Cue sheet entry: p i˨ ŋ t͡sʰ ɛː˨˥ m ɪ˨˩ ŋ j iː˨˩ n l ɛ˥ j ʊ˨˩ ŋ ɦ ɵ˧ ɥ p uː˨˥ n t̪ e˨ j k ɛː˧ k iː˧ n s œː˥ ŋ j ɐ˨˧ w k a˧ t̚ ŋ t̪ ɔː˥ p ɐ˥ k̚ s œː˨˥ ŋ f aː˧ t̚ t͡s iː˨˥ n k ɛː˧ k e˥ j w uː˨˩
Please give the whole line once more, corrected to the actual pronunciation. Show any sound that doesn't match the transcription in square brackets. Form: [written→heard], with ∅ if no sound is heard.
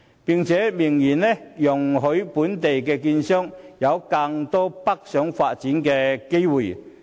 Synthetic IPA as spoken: p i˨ ŋ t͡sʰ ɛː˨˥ m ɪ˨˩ ŋ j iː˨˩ n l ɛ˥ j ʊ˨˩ ŋ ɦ [ɵ˧→ɵ˨˥] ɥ p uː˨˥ n t̪ e˨ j k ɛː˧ k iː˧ n s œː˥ ŋ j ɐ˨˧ w k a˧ [t̚→∅] ŋ t̪ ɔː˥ p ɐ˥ k̚ s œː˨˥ ŋ f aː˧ t̚ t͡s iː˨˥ n k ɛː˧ k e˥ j w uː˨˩